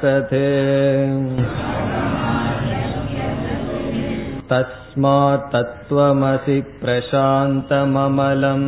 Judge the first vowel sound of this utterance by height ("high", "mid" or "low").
low